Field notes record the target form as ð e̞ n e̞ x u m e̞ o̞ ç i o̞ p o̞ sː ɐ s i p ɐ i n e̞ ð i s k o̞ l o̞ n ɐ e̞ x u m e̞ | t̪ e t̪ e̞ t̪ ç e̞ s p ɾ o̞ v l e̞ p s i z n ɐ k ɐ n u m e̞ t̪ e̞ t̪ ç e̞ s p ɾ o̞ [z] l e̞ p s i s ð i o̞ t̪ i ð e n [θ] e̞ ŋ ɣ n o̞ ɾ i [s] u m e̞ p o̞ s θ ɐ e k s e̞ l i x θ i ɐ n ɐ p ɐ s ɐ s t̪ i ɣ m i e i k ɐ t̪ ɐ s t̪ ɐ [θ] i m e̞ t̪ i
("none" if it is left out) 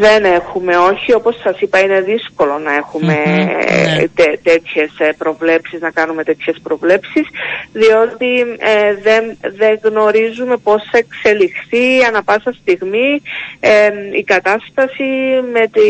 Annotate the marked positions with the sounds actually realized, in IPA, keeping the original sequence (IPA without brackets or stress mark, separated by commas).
v, ð, z, s